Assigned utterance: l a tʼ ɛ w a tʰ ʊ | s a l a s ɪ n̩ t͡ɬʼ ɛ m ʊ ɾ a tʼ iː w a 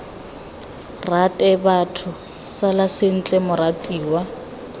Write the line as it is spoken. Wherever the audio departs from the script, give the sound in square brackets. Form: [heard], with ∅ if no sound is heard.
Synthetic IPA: [r] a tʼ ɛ [b] a tʰ ʊ | s a l a s ɪ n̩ t͡ɬʼ ɛ m ʊ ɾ a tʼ iː w a